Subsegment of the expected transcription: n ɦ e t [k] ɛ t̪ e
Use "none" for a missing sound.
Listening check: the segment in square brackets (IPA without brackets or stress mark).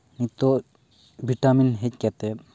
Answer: k